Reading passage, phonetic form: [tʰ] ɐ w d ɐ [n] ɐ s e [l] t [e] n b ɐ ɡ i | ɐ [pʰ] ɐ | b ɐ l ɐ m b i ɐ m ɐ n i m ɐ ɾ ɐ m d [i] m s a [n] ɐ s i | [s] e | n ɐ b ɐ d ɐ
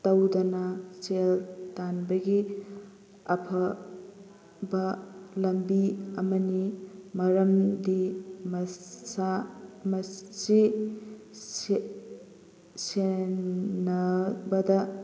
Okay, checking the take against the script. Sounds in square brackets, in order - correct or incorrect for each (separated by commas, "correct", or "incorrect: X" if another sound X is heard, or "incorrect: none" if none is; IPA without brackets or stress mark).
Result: incorrect: t, correct, correct, incorrect: a, correct, correct, incorrect: m, correct